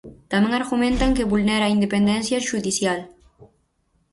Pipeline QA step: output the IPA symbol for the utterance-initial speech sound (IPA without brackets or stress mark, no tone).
t̪